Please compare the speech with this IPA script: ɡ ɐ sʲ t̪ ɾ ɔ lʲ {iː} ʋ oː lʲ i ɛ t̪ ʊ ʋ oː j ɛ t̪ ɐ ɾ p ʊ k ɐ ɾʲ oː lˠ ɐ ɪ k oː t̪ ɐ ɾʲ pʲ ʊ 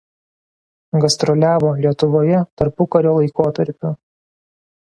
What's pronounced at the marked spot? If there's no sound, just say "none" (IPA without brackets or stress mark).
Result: æː